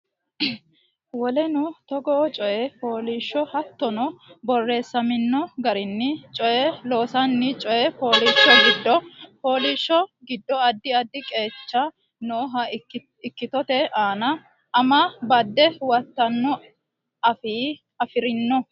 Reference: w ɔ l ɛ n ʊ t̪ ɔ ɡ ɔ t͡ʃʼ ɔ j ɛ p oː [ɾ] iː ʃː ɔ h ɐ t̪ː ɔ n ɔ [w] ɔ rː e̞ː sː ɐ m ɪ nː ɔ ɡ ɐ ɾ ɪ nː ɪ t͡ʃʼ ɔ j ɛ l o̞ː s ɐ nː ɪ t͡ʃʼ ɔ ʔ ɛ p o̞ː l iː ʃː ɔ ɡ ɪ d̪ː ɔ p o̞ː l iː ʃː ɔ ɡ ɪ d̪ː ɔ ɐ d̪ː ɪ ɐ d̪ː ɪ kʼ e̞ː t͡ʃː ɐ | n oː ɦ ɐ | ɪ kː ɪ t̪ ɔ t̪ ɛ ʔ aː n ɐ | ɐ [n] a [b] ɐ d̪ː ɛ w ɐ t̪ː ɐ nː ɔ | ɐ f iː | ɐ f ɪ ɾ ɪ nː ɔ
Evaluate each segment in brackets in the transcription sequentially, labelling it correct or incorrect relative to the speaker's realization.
incorrect, incorrect, incorrect, correct

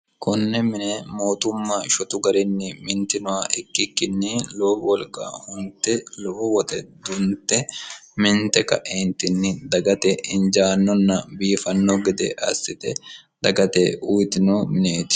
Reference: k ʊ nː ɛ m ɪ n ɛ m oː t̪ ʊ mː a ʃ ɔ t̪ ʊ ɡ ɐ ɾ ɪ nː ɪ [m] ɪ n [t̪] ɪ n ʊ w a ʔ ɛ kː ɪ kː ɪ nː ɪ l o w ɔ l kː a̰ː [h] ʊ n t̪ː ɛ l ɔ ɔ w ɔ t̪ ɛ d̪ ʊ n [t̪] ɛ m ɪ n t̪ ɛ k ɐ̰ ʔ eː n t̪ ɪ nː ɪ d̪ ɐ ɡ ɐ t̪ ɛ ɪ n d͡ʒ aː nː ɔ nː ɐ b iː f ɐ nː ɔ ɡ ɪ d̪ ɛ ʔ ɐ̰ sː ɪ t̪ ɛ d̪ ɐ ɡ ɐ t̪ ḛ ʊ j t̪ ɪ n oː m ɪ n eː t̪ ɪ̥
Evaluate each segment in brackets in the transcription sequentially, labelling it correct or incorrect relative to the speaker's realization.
correct, correct, correct, correct

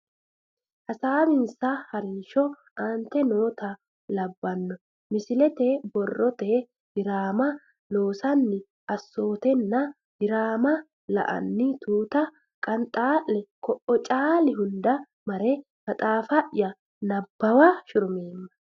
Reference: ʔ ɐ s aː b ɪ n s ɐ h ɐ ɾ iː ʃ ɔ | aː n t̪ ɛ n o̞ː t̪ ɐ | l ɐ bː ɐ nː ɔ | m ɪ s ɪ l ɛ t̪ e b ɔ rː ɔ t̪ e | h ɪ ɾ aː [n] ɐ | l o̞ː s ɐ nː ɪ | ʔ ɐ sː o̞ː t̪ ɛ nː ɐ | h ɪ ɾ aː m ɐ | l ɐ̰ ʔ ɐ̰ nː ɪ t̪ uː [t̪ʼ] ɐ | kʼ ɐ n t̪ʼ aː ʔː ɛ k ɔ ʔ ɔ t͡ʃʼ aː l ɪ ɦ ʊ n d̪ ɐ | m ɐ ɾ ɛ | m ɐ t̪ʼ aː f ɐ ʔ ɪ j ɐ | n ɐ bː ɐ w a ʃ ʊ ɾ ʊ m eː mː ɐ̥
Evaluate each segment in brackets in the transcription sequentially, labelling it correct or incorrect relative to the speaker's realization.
incorrect, incorrect

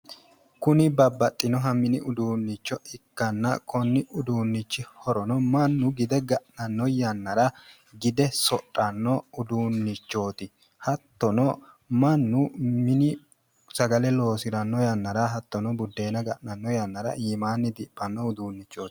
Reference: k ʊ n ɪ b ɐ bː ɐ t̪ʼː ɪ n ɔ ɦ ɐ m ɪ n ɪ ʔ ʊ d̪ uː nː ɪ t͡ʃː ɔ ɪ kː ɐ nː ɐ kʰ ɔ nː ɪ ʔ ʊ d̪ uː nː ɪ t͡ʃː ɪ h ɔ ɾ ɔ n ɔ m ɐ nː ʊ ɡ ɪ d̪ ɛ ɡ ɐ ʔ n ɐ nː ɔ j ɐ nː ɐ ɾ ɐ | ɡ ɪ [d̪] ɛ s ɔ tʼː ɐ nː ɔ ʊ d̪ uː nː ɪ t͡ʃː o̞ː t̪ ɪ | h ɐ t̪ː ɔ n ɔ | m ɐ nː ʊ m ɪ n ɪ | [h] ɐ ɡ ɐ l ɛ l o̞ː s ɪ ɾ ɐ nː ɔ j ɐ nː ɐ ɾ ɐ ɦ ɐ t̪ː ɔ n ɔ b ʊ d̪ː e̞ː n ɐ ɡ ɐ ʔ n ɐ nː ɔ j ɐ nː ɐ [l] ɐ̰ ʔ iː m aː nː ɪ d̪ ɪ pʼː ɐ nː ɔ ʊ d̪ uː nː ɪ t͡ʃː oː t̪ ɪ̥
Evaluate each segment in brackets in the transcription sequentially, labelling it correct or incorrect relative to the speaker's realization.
correct, incorrect, incorrect

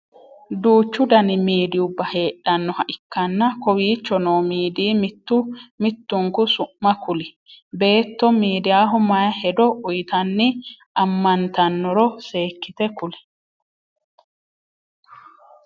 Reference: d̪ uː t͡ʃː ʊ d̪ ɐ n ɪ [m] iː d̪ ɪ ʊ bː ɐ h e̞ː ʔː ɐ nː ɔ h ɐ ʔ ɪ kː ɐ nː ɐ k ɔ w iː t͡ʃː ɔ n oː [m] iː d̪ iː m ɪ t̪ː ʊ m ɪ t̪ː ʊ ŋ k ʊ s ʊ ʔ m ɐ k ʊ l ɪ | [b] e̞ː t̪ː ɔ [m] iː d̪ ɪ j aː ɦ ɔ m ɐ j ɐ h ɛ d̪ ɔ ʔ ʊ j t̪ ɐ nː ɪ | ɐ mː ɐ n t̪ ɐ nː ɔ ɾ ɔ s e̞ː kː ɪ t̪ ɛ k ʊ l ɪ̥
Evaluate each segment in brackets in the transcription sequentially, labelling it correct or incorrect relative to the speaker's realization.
correct, correct, correct, correct

